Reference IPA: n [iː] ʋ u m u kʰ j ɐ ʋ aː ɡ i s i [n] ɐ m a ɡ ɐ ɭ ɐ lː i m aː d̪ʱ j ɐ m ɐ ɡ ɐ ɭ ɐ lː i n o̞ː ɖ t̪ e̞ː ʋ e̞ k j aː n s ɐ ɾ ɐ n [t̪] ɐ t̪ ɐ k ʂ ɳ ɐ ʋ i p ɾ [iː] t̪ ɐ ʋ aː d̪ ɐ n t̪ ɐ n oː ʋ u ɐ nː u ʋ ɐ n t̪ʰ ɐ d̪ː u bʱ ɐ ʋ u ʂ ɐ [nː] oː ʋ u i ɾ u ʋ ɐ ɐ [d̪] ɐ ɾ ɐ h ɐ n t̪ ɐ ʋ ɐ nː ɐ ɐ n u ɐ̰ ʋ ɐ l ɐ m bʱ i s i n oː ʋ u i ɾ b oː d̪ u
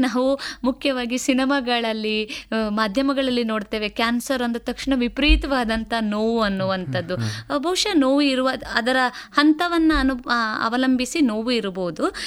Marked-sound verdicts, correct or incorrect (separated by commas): incorrect, correct, incorrect, correct, incorrect, correct